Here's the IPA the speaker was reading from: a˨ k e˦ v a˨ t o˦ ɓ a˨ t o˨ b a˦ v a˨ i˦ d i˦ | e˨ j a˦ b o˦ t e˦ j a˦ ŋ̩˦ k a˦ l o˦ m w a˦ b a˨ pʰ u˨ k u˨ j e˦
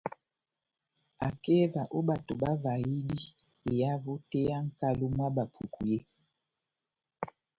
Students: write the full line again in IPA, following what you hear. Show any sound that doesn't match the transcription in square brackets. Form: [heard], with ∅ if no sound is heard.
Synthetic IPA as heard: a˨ k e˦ v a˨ [ʔ] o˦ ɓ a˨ t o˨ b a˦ v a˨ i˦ d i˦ | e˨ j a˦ [v] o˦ t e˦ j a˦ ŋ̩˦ k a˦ l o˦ m w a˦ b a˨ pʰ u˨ k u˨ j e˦